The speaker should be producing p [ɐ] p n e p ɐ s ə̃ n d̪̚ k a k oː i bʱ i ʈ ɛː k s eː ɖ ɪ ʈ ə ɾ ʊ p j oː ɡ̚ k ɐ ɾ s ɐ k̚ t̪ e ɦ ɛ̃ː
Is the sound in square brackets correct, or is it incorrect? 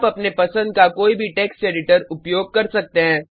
correct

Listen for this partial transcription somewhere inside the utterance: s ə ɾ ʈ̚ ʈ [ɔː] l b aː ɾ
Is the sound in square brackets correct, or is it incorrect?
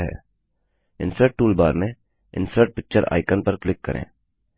incorrect: uː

